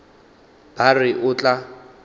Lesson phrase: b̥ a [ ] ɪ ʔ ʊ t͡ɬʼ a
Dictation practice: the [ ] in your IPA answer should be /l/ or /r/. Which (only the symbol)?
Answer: r